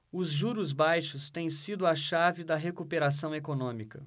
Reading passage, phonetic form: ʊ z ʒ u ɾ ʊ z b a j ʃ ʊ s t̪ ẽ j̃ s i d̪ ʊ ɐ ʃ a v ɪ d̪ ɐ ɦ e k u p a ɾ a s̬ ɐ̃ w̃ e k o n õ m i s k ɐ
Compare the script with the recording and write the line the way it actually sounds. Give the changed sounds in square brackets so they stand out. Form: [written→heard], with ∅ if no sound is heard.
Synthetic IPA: ʊ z ʒ u ɾ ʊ z b a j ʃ ʊ s t̪ ẽ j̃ s i d̪ ʊ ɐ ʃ a v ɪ d̪ ɐ ɦ e k u p [a→e] ɾ a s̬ ɐ̃ w̃ e k o n õ m i [s→∅] k ɐ